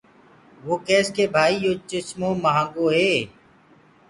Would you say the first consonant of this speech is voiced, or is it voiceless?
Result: voiced